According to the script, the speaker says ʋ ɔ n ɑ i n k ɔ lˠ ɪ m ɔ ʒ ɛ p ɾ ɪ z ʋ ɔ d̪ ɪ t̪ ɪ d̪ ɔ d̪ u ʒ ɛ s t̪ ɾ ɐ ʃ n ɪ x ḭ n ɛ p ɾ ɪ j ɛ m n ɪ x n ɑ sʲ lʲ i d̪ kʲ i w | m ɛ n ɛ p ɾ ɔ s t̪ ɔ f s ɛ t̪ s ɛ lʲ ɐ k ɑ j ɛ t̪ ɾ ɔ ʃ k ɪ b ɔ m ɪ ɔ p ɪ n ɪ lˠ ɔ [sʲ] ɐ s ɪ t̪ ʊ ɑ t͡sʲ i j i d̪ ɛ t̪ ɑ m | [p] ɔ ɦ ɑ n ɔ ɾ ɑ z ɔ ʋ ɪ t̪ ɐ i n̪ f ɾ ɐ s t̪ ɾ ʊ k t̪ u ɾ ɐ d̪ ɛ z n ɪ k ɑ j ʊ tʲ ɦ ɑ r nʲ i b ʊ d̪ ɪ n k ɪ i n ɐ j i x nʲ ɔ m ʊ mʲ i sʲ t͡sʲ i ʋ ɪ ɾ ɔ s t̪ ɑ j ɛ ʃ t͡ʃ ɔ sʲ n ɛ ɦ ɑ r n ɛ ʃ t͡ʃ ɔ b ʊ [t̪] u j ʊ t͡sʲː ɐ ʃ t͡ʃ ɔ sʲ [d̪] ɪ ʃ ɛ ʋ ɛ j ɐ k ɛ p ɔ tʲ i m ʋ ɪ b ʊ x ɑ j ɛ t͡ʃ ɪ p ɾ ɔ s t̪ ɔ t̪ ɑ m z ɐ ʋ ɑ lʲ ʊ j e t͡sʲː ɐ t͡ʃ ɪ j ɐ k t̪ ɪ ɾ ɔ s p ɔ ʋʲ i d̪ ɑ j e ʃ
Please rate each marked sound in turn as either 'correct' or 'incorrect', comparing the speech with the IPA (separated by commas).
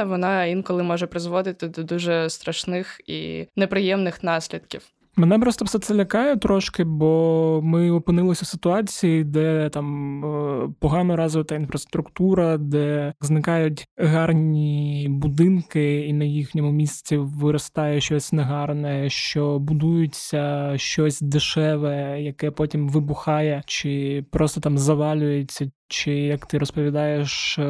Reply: correct, correct, incorrect, correct